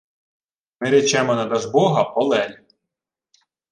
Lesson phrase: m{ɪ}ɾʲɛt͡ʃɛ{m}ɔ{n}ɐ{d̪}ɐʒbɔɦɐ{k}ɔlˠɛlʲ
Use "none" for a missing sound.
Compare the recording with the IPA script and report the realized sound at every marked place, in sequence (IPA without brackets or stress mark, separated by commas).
ɪ, m, n, d̪, p